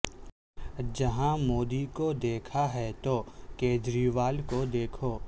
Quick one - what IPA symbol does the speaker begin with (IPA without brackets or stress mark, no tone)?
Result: d͡ʒ